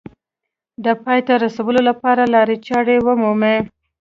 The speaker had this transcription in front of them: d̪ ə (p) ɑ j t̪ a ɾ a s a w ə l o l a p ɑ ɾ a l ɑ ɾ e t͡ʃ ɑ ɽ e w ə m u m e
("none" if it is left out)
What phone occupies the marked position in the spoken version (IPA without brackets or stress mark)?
p